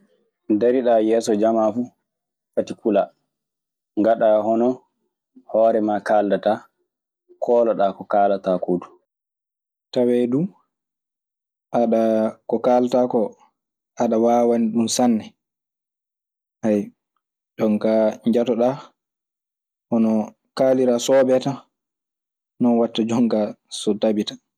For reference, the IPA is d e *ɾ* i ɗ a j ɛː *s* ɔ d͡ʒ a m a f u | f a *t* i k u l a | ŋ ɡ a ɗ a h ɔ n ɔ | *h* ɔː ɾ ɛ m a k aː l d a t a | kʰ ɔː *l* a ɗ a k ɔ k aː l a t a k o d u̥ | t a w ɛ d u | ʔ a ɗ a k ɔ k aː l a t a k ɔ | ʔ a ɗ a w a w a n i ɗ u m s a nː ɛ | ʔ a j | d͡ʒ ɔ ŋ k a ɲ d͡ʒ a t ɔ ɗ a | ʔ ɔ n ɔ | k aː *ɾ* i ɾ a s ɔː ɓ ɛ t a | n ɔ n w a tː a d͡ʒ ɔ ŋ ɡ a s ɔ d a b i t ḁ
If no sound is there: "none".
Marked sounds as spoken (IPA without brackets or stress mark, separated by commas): ɾ, s, t, h, l, l